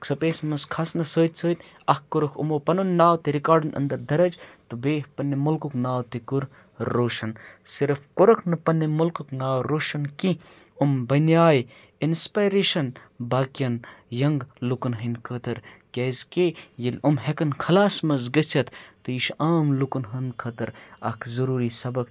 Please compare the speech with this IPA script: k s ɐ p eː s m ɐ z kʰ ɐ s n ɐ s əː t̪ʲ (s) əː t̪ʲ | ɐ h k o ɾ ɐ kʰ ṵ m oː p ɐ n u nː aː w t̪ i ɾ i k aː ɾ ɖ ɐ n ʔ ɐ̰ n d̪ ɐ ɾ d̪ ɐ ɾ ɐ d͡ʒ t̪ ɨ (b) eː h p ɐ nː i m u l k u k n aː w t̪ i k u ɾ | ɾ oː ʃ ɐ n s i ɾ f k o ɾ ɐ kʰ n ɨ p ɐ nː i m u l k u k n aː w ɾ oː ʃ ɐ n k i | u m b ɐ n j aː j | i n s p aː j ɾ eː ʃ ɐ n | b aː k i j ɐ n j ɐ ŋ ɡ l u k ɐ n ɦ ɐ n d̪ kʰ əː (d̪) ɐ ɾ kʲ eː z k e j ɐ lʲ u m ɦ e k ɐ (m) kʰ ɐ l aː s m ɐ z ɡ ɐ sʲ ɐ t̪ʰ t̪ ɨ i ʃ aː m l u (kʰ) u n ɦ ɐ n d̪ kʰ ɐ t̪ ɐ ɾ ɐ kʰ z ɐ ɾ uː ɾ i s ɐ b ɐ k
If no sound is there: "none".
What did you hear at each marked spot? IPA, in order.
s, b, t̪, n, k

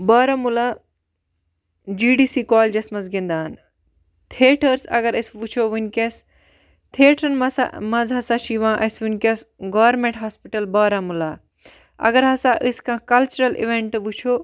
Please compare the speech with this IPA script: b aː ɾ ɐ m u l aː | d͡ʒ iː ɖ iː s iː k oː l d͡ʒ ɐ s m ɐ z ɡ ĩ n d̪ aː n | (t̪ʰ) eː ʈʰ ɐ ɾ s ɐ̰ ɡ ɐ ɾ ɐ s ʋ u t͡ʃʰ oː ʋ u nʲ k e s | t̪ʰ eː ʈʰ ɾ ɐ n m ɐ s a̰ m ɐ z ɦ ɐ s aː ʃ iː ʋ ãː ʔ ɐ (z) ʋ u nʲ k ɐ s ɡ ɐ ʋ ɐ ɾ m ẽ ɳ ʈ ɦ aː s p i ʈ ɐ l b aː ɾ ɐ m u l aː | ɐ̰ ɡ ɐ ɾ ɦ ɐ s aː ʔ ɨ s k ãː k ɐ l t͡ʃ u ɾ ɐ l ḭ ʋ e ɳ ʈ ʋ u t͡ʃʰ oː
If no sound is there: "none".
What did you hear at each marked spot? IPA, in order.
t̪ʰ, s

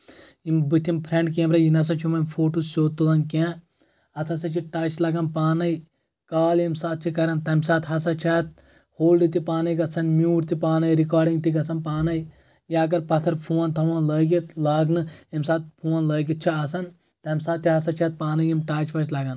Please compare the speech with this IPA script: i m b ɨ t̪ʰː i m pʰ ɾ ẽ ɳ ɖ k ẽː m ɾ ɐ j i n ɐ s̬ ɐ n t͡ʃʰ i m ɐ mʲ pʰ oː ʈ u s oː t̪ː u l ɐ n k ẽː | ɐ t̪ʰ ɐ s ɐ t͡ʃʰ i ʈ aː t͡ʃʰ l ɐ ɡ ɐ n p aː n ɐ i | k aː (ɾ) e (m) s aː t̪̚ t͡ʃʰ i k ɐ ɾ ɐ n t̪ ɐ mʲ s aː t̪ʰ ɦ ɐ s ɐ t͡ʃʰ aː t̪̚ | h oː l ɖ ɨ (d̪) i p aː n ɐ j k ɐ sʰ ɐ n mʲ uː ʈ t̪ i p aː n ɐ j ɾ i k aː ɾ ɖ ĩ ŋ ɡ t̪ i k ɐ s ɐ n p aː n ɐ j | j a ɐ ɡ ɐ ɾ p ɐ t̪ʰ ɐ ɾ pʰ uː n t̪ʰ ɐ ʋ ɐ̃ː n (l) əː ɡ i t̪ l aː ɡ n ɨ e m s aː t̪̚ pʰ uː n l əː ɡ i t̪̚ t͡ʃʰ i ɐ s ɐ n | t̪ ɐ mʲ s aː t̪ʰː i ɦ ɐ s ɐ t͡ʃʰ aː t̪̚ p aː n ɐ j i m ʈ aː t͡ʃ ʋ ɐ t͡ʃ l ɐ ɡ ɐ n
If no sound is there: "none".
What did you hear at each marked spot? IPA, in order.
l, m, t̪, l

